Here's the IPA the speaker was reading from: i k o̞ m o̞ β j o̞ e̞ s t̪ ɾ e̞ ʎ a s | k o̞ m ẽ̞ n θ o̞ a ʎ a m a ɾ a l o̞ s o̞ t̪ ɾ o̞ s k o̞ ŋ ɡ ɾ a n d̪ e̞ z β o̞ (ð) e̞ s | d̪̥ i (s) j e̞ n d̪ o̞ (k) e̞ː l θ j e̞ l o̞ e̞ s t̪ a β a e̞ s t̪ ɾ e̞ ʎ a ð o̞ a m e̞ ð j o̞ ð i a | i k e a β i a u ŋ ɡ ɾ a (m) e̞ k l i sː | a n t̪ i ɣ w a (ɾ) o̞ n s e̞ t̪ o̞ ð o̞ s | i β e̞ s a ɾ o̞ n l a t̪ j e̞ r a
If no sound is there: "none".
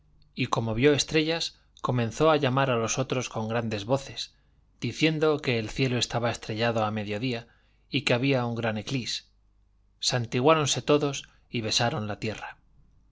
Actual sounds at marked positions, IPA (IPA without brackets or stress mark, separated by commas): θ, θ, k, n, ɾ